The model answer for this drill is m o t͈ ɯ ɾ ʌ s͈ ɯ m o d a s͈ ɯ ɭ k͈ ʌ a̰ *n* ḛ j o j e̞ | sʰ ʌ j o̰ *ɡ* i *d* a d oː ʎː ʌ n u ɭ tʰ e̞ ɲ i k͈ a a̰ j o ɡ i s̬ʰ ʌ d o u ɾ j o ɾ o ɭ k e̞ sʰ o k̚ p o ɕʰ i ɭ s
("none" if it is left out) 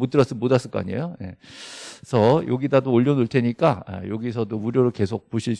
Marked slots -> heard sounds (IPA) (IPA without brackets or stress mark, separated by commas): ɲ, ɡ, d